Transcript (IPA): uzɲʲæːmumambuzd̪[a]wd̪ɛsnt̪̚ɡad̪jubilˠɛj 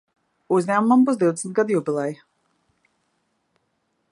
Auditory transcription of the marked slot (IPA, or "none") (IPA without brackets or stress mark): i